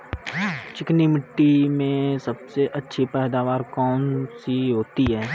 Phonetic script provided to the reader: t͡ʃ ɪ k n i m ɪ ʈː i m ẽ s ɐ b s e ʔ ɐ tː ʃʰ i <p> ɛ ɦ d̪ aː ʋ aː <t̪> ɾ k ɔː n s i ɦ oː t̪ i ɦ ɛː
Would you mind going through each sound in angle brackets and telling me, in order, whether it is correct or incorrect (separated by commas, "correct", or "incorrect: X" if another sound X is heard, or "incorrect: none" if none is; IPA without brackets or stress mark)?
correct, incorrect: none